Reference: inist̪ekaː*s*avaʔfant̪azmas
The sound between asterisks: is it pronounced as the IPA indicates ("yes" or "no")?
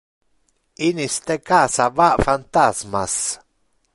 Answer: yes